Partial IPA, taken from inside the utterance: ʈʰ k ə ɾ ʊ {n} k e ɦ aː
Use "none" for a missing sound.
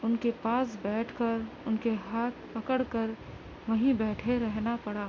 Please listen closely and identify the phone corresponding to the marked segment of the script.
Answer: n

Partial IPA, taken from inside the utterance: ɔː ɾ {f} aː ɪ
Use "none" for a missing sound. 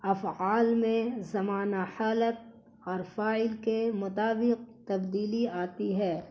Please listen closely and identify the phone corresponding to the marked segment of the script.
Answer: f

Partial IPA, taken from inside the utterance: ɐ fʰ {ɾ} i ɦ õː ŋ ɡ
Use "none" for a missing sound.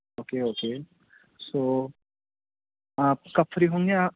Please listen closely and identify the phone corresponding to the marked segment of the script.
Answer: ɾ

